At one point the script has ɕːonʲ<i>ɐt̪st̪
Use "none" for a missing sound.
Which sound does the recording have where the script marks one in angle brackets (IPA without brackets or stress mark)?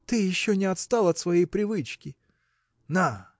ɪ